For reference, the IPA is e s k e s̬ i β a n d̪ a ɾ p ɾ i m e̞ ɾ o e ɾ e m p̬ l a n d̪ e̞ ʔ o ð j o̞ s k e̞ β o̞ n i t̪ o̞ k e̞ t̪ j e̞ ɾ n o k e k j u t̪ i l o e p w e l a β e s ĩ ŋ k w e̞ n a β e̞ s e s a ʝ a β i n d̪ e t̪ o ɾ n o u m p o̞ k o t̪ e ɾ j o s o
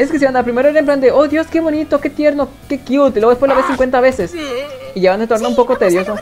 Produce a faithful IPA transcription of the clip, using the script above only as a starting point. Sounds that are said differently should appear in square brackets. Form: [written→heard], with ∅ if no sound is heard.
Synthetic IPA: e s k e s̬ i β a n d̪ a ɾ p ɾ i m e̞ ɾ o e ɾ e m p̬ l a n d̪ e̞ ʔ o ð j o̞ s k e̞ β o̞ n i t̪ o̞ k e̞ t̪ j e̞ ɾ n o k e k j u t̪ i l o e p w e l a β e s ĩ ŋ k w e̞ n a β e̞ s e s [a→i] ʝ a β [i→a] n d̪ e t̪ o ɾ n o u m p o̞ k o t̪ e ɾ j o s o